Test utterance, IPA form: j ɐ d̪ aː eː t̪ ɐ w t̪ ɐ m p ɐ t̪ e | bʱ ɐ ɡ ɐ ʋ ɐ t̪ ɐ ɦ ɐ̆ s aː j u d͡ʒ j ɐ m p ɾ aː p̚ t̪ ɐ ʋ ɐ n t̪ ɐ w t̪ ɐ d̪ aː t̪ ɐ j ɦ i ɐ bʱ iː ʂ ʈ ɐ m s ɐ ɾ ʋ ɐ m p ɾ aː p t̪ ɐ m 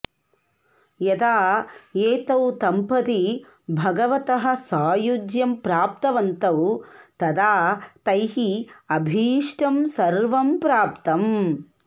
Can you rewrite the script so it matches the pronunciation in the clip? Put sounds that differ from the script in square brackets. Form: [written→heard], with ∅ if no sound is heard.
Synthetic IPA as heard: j ɐ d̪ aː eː t̪ ɐ w t̪ ɐ m p ɐ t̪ [e→i] | bʱ ɐ ɡ ɐ ʋ ɐ t̪ ɐ ɦ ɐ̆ s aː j u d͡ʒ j ɐ m p ɾ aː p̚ t̪ ɐ ʋ ɐ n t̪ ɐ w t̪ ɐ d̪ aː t̪ ɐ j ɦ i ɐ bʱ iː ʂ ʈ ɐ m s ɐ ɾ ʋ ɐ m p ɾ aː p t̪ ɐ m